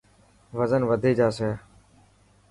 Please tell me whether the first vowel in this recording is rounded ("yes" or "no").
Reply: no